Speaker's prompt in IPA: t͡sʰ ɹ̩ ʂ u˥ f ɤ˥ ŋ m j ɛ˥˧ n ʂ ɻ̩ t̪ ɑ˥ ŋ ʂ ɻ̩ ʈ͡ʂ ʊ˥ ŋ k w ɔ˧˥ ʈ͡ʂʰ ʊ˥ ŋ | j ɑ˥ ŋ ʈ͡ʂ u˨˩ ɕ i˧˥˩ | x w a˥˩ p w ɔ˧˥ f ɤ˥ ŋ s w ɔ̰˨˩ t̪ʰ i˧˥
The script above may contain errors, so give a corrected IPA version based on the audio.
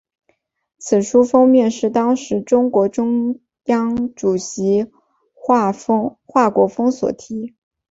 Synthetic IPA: t͡sʰ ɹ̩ ʂ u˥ f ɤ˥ ŋ m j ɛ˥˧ n ʂ ɻ̩ t̪ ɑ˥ ŋ ʂ ɻ̩ ʈ͡ʂ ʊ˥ ŋ k w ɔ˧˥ ʈ͡ʂ ʊ˥ ŋ | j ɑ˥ ŋ ʈ͡ʂ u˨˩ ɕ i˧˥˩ | x w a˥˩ k w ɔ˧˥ f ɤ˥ ŋ s w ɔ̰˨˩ t̪ʰ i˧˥